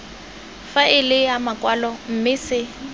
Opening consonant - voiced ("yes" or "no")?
no